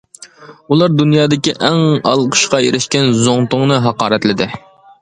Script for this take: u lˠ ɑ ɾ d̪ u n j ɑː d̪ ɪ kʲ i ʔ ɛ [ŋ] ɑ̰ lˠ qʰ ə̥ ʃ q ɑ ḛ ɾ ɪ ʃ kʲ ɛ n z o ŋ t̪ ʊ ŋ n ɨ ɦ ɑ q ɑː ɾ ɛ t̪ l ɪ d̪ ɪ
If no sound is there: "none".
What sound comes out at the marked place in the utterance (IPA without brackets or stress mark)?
ŋ